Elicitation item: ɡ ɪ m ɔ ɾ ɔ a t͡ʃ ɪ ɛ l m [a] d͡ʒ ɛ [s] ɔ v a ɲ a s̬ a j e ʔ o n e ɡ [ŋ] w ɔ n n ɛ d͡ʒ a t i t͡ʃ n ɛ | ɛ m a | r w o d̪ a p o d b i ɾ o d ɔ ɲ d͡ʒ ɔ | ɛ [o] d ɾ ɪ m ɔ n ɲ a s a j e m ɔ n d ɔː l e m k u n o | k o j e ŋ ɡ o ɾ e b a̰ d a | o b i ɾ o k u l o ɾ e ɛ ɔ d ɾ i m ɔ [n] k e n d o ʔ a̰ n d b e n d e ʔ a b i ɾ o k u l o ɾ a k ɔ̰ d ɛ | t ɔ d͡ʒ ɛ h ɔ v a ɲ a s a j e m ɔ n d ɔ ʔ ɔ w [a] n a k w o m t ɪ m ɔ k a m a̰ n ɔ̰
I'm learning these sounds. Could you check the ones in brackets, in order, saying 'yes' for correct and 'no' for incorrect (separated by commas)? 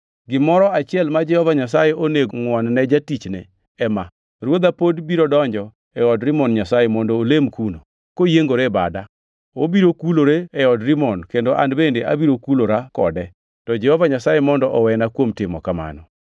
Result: yes, no, yes, no, yes, no